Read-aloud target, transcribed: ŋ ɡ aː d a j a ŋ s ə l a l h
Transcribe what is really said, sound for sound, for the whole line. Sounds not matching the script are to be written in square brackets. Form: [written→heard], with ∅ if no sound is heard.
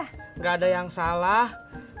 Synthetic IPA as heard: ŋ ɡ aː d a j a ŋ s [ə→a] l a [l→∅] h

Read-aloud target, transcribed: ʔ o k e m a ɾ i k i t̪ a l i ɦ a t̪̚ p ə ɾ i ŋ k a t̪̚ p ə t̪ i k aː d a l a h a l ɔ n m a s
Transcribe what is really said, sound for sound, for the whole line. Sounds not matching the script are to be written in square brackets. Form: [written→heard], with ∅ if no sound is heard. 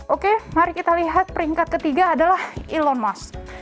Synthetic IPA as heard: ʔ o k e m a ɾ i k i t̪ a l i ɦ a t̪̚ p ə ɾ i ŋ k a t̪̚ [p→k] ə t̪ i [k→ɡ] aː d a l a h [a→i] l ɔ n m a s

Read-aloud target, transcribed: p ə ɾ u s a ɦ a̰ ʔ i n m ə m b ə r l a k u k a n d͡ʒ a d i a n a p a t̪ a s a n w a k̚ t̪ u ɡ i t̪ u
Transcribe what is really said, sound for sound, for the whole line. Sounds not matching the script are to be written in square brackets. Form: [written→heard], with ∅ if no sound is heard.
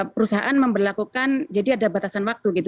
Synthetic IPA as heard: p ə ɾ u s a ɦ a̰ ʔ [i→a] n m ə m b ə r l a k u k a n d͡ʒ a d i a [n→d] a [p→b] a t̪ a s a n w a k̚ t̪ u ɡ i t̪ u

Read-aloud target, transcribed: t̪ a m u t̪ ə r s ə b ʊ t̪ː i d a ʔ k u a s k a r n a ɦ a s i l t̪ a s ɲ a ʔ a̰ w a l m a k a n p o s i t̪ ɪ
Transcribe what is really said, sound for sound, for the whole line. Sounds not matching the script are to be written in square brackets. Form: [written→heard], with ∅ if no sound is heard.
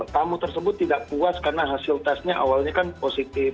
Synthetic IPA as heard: t̪ a m u t̪ ə r s ə b ʊ t̪ː i d a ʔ [k→p] u a s k a r n a ɦ a s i l t̪ a s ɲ a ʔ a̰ w a l [m→ɲ] a k a n p o s i t̪ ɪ

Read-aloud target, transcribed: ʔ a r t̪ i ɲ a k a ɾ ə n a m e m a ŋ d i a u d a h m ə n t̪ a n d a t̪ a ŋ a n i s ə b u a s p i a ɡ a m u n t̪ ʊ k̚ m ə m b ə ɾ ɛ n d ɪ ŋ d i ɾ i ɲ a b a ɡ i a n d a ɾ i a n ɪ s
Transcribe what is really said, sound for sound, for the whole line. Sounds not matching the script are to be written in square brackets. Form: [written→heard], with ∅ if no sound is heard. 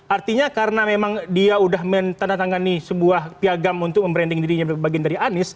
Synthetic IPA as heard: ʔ a r t̪ i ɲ a k a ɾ ə n a m e m a ŋ d i a u d a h m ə n t̪ a n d a t̪ a ŋ a n i s ə b u a [s→h] p i a ɡ a m u n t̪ ʊ k̚ m ə m b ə ɾ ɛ n d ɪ ŋ d i ɾ i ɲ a b a ɡ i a n d a ɾ i a n ɪ s

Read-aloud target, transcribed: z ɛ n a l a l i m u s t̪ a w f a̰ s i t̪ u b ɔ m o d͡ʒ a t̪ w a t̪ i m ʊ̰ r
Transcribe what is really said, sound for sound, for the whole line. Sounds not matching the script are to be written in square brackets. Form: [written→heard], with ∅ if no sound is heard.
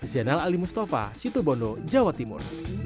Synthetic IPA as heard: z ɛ n a l a l i m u s t̪ a [w→∅] f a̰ s i t̪ u b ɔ [m→n] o d͡ʒ a [t̪→∅] w a t̪ i m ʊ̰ r

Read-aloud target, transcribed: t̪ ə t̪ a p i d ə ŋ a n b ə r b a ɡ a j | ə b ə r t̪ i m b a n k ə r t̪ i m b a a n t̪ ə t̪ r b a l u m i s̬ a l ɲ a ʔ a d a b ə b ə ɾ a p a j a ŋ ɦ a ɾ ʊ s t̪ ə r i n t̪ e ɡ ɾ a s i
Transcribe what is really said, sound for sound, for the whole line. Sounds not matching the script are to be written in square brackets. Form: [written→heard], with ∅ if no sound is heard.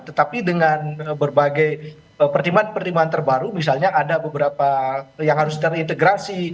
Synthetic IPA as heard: t̪ ə t̪ a p i d ə ŋ a n b ə r b a ɡ a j | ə [b→p] ə r t̪ i m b a n [k→p] ə r t̪ i m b a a n t̪ ə [t̪→∅] r b a [l→ɾ] u m i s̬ a l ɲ a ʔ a d a b ə b ə ɾ a p a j a ŋ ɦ a ɾ ʊ s t̪ ə r i n t̪ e ɡ ɾ a s i

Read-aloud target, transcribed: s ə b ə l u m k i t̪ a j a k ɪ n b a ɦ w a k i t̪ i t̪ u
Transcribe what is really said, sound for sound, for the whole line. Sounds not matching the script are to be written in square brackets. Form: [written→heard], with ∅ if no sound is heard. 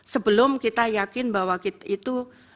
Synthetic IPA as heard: s ə b ə l [u→ʊ] m k i t̪ a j a k ɪ n b a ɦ w a k i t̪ i t̪ u

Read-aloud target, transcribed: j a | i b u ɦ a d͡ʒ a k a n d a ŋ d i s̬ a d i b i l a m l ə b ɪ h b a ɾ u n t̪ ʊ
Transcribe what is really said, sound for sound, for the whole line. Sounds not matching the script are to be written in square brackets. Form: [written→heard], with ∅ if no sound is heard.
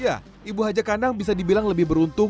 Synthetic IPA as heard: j a | i b u ɦ a d͡ʒ a k a n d a ŋ [d→b] i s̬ a d i b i l a [m→ŋ] l ə b ɪ h b [a→ə] ɾ u n t̪ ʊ

